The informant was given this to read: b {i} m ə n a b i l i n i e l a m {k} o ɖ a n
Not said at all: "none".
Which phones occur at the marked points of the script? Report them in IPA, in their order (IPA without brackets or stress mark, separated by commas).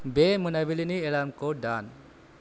e, k